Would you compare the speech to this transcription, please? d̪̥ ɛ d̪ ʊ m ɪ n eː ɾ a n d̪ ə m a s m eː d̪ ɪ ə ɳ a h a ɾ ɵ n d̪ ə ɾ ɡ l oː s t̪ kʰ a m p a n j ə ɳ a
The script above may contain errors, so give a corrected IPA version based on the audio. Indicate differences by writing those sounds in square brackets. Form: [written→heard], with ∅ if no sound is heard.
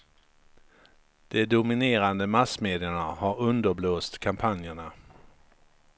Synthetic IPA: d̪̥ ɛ d̪ ʊ m ɪ n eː ɾ a n d̪ ə m a s m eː d̪ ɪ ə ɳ a h a ɾ ɵ n d̪ ə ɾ [ɡ→b] l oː s t̪ kʰ a m [p→pʰ] a n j ə ɳ a